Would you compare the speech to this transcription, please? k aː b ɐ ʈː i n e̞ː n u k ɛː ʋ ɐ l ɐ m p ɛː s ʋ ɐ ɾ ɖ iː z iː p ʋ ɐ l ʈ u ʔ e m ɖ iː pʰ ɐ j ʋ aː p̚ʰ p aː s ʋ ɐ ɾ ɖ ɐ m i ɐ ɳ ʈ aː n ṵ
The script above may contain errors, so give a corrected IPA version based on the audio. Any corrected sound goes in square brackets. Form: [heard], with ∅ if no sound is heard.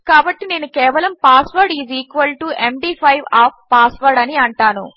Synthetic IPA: k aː b ɐ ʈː i n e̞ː n u k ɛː ʋ ɐ l ɐ m p [aː] s ʋ ɐ ɾ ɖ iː z iː [k] ʋ ɐ l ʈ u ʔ e m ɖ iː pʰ ɐ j ʋ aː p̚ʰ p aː s ʋ ɐ ɾ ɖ ɐ [n] i ɐ ɳ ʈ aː n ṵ